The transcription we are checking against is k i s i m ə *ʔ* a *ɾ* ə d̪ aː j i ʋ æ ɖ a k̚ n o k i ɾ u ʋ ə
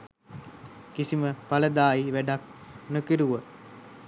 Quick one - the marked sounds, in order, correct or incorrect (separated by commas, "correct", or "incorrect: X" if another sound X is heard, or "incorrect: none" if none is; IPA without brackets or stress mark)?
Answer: incorrect: p, incorrect: l